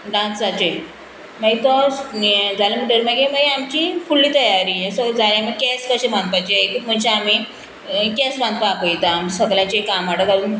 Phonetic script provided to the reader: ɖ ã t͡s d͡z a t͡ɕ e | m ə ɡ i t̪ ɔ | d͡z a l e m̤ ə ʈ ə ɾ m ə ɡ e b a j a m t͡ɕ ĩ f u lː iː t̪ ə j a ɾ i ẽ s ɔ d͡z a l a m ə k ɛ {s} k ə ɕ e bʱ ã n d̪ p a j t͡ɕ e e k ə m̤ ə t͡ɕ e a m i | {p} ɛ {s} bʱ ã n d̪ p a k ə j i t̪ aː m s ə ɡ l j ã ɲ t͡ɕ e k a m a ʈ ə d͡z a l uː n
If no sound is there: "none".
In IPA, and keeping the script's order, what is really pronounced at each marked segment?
s, k, s

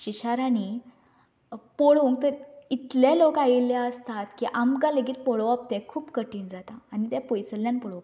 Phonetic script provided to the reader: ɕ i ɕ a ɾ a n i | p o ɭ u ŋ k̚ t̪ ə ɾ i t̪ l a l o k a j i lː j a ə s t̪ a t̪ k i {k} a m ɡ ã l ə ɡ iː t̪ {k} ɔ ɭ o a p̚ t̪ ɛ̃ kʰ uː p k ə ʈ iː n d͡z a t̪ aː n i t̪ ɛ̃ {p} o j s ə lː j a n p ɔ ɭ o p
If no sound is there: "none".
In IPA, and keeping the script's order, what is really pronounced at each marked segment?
ʔ, p, p

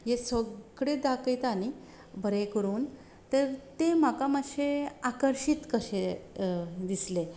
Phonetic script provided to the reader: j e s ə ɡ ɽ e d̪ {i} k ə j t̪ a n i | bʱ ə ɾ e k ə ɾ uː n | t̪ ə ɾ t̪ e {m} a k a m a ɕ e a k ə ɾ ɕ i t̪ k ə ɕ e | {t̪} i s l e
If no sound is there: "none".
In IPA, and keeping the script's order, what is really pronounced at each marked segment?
a, m, d̪

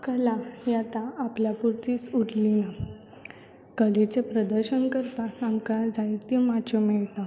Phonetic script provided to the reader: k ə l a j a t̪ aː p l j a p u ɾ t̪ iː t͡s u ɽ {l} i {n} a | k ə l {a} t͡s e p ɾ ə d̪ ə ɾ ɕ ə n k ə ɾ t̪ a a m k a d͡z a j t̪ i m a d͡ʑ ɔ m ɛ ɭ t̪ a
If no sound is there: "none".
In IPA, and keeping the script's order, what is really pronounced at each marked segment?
l, n, e

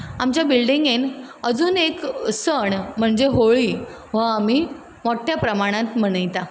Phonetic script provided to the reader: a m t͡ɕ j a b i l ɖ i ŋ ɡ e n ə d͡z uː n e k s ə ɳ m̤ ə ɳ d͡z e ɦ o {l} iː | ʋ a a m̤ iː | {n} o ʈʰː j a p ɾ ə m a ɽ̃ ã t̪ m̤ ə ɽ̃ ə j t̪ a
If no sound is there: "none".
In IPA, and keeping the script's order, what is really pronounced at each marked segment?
ɭ, m

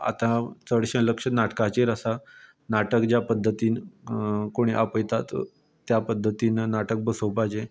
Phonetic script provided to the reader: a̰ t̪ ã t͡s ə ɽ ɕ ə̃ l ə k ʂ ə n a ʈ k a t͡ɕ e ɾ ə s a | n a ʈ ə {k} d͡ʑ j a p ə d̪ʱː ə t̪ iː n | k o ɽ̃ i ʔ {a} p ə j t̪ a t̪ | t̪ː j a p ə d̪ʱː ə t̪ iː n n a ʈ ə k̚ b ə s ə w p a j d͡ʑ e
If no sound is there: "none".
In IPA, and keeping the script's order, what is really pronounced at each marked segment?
k, a

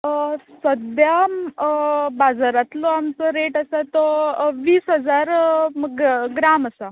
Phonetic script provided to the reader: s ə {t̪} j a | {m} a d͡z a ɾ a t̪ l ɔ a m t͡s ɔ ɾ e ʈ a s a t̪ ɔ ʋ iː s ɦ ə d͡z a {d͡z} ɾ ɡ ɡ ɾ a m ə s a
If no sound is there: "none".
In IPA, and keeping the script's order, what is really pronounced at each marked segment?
d̪, b, none

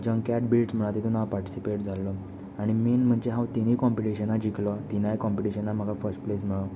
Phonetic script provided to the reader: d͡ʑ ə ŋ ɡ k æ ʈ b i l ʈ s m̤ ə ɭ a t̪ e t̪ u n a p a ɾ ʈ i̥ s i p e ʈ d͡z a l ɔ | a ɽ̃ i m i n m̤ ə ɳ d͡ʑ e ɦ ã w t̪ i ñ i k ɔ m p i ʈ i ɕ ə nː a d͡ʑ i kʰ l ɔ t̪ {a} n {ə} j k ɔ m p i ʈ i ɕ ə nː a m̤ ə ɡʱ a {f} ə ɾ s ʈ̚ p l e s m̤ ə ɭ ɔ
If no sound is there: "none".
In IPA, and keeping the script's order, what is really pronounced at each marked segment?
i, a, f

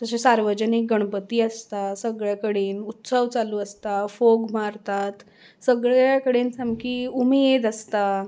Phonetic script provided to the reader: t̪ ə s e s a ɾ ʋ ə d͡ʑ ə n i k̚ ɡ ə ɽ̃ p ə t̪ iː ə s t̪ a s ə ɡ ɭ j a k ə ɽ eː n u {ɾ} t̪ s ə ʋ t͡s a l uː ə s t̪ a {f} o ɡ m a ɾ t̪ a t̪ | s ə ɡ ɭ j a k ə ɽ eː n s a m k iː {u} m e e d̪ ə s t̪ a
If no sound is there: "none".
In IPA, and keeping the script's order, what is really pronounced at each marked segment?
none, f, u

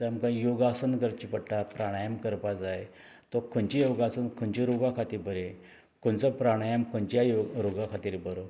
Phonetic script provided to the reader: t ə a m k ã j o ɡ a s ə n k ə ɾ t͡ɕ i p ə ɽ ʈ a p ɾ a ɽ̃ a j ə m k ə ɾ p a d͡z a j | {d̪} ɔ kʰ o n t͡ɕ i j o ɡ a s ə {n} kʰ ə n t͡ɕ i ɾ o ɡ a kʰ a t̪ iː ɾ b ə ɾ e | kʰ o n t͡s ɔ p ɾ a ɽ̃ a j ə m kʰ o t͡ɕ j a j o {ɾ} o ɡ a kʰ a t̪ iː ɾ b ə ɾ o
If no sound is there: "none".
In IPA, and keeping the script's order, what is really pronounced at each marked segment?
t̪, n, ɾ

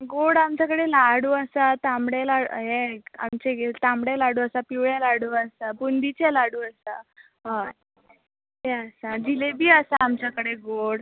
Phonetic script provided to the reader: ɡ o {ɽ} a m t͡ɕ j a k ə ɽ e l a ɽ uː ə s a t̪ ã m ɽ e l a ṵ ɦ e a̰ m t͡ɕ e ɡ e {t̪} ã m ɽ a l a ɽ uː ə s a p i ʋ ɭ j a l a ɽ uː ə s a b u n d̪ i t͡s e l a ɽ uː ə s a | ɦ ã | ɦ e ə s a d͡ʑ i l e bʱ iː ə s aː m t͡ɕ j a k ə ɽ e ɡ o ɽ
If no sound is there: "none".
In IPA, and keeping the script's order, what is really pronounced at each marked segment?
ɽ, t̪

